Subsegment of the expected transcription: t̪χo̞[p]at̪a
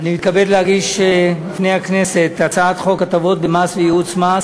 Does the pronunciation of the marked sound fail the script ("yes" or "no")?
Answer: yes